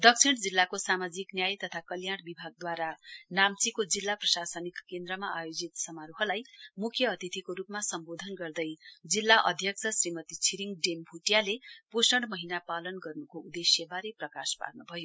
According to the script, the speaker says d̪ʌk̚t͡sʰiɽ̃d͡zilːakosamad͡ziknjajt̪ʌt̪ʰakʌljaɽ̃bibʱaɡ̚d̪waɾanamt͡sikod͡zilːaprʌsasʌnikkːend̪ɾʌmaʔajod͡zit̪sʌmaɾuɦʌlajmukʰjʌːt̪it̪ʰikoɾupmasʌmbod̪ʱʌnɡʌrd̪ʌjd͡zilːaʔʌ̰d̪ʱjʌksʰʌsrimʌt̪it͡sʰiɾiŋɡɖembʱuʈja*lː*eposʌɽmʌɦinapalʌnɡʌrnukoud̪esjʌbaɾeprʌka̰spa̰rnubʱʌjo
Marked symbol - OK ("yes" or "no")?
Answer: no